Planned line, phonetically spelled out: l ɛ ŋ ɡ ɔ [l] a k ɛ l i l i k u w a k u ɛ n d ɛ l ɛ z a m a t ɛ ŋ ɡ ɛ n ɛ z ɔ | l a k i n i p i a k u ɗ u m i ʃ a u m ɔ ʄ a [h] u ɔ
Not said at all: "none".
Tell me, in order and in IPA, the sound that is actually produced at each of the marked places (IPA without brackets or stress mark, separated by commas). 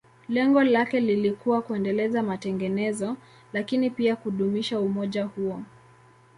l, h